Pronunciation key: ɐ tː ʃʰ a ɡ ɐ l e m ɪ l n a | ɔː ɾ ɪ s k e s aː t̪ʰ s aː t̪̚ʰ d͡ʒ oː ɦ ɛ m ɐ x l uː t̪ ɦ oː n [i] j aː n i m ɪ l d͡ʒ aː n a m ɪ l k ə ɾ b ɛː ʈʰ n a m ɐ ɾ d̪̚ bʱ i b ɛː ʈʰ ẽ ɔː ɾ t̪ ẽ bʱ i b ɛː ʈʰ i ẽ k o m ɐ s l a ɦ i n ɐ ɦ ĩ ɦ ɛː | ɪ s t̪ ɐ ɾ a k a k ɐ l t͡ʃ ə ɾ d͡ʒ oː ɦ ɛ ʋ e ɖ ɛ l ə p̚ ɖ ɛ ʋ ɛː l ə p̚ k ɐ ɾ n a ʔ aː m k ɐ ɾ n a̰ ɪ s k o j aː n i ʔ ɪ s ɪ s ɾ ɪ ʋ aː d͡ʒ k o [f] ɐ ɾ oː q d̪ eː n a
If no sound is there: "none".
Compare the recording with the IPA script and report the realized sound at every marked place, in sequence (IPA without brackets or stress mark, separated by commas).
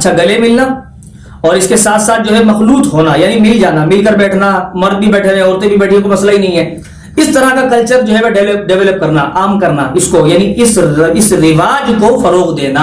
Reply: a, f